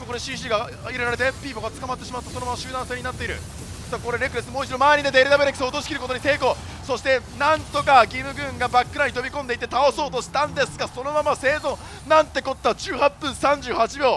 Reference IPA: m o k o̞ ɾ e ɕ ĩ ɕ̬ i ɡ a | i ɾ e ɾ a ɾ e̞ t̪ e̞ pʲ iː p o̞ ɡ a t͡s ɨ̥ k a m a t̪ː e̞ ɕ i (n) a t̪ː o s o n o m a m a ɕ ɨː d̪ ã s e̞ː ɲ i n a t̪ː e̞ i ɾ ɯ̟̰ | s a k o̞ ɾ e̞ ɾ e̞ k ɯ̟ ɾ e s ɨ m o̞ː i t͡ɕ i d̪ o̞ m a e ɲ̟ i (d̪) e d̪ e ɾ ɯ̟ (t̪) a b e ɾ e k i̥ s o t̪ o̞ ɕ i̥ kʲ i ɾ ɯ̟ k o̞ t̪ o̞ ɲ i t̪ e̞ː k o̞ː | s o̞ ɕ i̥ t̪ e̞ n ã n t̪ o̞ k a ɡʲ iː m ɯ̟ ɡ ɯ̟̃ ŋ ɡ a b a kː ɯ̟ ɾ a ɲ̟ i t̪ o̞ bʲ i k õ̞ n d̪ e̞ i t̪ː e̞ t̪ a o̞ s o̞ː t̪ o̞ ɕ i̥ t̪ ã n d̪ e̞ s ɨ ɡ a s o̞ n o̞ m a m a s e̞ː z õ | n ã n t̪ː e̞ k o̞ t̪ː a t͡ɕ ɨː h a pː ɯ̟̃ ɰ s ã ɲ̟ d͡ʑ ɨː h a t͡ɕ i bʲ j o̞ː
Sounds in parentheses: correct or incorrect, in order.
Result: incorrect: m, correct, incorrect: d̪

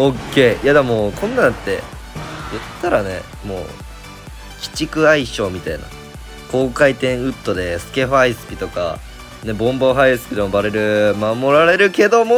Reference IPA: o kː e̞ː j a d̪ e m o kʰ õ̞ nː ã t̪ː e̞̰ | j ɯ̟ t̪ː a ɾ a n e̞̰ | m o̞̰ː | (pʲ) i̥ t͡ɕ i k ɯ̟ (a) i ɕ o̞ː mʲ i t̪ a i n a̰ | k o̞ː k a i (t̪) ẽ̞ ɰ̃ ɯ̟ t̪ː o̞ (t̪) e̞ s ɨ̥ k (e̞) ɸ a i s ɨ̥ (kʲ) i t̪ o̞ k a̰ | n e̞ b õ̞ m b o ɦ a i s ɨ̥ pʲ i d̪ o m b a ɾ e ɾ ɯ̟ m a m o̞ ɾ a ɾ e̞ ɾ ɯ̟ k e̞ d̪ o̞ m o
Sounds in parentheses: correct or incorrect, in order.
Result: incorrect: kʲ, correct, correct, incorrect: d̪, correct, incorrect: pʲ

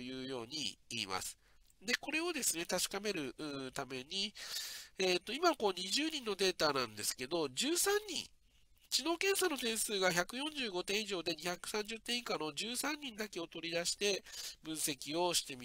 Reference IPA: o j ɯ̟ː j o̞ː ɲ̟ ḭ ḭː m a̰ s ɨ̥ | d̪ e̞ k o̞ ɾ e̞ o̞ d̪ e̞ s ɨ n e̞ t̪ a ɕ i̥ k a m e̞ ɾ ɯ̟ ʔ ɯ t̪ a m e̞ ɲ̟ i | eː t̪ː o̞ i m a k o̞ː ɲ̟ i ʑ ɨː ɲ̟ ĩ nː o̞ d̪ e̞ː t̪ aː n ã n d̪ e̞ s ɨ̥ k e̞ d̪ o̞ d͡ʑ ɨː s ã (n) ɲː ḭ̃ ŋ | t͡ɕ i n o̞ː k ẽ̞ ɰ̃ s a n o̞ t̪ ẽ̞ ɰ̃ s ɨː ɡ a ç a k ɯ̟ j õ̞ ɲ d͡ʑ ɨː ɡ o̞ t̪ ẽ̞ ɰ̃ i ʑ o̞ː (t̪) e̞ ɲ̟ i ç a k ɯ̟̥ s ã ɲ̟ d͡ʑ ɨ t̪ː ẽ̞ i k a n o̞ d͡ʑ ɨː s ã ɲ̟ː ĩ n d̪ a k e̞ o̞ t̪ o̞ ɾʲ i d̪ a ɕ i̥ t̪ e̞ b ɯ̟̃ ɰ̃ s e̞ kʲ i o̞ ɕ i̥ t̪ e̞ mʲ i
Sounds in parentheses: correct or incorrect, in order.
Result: incorrect: ɲ, incorrect: d̪

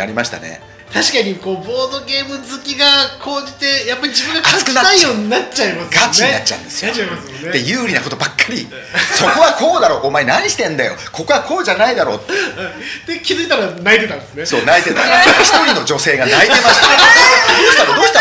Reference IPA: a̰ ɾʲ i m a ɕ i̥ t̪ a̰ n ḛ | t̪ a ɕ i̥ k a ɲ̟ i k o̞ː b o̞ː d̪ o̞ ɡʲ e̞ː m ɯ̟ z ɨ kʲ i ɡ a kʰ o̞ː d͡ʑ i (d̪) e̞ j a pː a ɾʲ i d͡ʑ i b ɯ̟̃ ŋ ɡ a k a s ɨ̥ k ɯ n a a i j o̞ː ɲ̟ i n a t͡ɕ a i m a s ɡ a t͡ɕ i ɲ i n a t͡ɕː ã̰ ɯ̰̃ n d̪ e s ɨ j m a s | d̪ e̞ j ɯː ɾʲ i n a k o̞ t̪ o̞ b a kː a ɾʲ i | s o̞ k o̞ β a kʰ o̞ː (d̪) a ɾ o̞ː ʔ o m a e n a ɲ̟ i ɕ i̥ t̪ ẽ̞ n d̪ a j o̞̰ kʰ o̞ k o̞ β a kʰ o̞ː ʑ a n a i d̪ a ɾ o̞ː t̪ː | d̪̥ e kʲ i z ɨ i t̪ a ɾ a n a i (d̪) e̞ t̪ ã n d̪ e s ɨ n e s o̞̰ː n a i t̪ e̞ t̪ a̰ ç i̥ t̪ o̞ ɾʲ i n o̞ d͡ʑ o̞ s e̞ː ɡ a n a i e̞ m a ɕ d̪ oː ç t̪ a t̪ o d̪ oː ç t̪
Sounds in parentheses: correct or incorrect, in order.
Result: incorrect: t̪, correct, incorrect: t̪

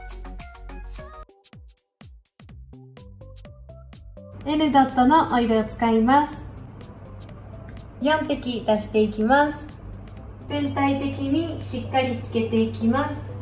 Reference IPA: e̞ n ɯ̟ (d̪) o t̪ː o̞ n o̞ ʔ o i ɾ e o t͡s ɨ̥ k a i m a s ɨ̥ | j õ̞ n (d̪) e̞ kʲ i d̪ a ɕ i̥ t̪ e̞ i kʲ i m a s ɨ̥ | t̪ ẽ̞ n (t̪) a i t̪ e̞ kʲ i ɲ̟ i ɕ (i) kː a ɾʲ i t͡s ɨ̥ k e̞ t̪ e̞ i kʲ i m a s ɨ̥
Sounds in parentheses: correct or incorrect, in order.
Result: correct, incorrect: t̪, correct, correct

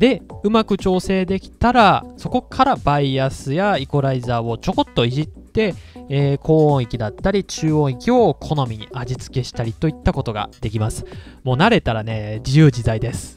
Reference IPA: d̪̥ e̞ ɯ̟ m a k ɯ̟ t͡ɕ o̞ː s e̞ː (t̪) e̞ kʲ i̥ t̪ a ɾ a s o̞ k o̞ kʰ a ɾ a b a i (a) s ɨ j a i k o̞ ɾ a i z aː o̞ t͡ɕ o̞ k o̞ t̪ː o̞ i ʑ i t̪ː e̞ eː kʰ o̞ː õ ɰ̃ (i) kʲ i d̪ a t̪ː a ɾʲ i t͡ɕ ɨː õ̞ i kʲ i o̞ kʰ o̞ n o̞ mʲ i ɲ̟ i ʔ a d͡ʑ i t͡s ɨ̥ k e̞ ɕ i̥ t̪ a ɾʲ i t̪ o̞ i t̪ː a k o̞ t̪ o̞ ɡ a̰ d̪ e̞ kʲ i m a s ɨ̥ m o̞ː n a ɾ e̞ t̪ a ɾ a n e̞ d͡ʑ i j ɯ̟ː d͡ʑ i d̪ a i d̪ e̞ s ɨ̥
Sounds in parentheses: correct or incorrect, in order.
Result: incorrect: d̪, correct, correct

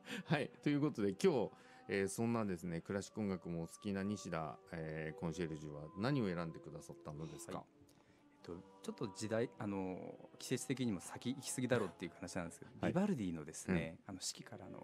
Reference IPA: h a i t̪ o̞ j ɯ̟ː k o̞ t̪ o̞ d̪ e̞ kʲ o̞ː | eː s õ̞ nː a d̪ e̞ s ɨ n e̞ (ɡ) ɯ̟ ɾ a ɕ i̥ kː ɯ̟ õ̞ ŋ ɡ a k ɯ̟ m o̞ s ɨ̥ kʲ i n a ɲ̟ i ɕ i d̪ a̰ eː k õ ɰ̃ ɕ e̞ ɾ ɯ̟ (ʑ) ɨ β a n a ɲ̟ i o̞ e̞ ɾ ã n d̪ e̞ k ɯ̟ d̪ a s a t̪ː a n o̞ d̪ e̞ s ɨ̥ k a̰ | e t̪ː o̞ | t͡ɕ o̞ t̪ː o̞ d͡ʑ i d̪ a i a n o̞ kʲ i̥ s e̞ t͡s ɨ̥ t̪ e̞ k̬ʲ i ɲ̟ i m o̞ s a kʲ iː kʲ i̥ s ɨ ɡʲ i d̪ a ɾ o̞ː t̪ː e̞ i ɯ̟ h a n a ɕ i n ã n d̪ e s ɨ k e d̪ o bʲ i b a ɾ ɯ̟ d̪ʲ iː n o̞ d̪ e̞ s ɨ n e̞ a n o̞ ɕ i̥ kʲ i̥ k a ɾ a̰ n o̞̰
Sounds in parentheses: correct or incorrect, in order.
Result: incorrect: k, correct

